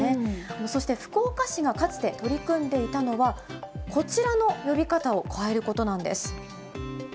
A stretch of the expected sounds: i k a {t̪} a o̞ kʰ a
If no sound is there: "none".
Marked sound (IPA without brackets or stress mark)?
t̪